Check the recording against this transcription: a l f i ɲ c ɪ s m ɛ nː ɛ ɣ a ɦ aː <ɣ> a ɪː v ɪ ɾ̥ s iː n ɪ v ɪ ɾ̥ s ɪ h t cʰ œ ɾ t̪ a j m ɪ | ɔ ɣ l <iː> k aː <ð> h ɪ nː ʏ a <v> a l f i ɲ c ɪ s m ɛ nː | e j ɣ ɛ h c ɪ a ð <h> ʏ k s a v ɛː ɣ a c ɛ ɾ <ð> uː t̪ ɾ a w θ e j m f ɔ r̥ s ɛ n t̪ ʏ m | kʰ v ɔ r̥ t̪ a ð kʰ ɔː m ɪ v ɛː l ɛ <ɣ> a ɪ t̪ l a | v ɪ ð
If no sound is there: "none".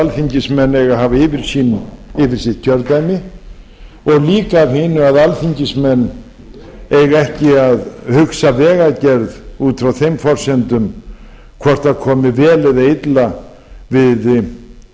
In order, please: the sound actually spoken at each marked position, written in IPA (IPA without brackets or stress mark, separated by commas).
v, iː, v, ð, h, ð, ð